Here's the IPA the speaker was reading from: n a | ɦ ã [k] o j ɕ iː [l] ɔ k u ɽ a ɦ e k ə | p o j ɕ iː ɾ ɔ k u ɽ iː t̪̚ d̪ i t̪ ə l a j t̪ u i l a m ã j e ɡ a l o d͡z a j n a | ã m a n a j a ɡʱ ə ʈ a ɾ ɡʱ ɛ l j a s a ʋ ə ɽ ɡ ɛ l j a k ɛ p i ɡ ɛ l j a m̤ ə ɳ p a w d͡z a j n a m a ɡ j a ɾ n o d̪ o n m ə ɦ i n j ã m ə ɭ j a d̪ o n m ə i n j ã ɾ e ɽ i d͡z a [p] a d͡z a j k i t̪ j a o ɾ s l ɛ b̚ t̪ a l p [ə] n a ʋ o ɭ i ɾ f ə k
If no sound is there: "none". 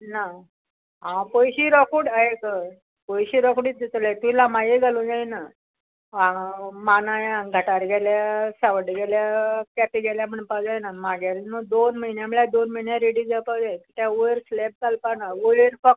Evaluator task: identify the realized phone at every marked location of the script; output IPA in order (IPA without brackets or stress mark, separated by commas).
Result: p, ɾ, p, a